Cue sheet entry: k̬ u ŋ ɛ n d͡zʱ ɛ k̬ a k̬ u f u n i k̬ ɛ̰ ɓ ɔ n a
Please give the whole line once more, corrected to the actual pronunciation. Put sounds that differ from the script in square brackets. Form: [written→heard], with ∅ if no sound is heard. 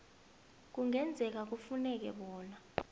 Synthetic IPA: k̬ u ŋ ɛ n d͡zʱ ɛ k̬ a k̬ u f u n [i→ɛ] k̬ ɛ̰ ɓ [ɔ→ɔː] n a